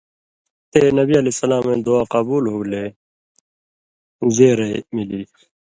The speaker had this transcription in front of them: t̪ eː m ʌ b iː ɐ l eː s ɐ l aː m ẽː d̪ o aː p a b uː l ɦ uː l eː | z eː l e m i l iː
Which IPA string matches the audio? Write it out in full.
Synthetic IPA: t̪ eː n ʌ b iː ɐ l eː s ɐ l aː m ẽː d̪ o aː q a b uː l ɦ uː l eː | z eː ɾ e m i l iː